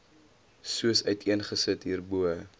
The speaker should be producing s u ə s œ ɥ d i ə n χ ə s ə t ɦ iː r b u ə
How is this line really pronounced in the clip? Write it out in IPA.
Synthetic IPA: s u ə s œ ɥ t i ə n χ ə s ə t ɦ iː r b u ə